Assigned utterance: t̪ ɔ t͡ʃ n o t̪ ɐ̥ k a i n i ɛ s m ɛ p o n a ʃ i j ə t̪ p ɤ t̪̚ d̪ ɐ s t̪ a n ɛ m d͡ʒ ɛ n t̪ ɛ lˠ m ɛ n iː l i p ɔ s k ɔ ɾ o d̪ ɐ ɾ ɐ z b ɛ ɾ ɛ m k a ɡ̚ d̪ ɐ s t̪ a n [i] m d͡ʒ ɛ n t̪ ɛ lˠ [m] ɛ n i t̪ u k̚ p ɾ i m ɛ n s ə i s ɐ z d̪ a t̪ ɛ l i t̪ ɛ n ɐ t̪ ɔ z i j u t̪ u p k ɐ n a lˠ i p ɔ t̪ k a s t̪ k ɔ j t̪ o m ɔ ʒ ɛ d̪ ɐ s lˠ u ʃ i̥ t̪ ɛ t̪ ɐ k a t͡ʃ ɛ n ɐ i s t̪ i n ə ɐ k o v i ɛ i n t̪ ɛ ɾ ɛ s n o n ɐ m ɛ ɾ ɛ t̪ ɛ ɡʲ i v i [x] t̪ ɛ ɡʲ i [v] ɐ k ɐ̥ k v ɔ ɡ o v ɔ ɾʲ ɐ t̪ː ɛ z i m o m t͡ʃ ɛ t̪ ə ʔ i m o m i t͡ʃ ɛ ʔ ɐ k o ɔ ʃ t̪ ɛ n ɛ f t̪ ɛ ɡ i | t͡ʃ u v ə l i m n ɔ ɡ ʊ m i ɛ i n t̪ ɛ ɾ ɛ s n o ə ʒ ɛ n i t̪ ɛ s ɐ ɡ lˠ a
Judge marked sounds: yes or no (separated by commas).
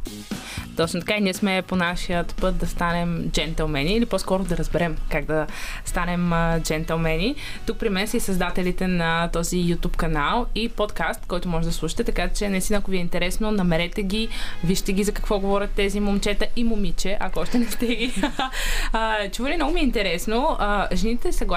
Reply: no, yes, no, no